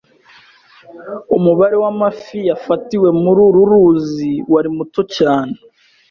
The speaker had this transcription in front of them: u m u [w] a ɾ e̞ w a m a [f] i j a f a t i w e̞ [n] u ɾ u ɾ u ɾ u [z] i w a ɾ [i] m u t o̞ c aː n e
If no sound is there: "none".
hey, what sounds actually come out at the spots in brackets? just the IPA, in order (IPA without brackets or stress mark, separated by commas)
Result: β, f, m, z, i